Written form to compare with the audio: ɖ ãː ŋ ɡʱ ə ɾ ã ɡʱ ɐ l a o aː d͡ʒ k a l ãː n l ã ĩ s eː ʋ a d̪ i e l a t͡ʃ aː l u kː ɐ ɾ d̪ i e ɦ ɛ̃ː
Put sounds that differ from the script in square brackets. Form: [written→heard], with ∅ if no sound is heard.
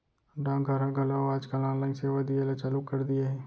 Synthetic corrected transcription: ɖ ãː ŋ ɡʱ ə ɾ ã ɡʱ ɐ l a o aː d͡ʒ k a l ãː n l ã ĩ s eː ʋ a d̪ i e l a t͡ʃ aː l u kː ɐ ɾ d̪ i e ɦ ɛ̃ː